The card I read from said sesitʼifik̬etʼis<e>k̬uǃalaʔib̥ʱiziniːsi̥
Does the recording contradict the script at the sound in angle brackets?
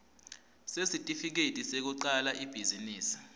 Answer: no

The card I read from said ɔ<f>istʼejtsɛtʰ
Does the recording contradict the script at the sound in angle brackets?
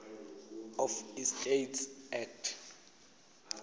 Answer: no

